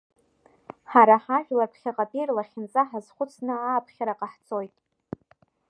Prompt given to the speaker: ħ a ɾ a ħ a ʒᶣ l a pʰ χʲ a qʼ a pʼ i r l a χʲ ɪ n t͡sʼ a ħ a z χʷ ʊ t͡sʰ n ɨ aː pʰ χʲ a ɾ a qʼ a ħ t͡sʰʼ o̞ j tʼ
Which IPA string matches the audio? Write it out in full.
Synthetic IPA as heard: ħ a ɾ a ħ a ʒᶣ l a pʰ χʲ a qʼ a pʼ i r l a χʲ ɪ n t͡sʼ a ħ a z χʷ ʊ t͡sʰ n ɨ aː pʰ χʲ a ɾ a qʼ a ħ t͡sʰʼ o̞ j tʼ